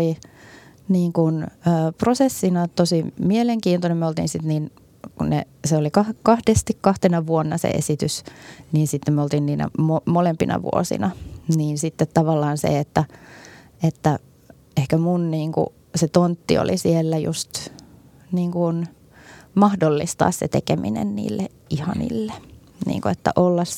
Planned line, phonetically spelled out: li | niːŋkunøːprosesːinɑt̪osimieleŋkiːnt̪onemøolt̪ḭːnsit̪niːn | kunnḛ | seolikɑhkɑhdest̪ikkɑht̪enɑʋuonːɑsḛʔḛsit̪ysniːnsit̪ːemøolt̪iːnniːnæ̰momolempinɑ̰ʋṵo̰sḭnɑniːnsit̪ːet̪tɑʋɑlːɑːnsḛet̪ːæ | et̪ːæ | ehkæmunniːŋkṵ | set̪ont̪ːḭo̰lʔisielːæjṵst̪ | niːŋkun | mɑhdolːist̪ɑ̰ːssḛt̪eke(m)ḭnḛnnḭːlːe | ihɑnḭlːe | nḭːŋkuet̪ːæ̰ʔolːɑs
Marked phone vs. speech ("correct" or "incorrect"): correct